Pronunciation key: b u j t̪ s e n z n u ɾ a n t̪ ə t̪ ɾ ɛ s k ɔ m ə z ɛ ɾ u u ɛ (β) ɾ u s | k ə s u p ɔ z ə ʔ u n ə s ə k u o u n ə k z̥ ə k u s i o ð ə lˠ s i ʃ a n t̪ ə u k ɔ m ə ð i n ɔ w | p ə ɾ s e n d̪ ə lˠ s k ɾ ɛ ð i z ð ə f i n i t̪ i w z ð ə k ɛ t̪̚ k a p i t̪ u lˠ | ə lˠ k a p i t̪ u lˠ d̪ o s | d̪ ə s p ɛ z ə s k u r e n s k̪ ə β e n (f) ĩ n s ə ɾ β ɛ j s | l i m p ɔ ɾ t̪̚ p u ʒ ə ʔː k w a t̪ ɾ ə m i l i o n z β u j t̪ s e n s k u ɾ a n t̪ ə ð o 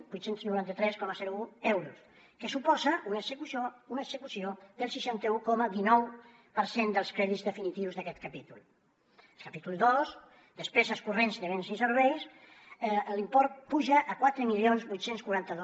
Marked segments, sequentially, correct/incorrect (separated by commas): incorrect, incorrect